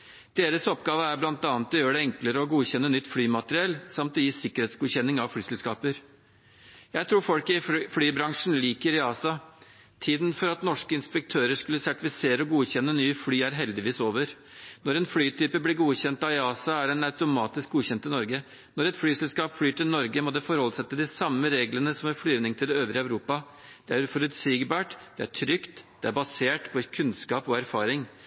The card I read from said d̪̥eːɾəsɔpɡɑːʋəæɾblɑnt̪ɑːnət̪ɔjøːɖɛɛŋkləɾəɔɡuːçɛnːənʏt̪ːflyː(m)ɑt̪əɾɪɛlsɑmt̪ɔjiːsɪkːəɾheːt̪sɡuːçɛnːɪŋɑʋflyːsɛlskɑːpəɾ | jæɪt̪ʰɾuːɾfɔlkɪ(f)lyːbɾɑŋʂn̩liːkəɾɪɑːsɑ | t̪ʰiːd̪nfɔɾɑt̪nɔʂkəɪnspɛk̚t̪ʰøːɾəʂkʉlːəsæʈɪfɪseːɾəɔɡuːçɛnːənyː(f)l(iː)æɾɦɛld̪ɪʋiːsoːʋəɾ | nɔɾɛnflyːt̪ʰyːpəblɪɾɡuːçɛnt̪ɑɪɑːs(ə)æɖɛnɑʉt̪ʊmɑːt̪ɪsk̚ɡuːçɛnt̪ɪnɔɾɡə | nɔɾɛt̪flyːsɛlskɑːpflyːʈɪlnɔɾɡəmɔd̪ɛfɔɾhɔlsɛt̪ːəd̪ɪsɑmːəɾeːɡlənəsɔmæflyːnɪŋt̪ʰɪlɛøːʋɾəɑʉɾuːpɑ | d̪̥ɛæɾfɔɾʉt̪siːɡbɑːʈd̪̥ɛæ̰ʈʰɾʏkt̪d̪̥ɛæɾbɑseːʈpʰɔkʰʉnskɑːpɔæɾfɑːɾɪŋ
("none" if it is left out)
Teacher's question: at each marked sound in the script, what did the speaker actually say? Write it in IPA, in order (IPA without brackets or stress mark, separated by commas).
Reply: m, f, f, yː, ɑ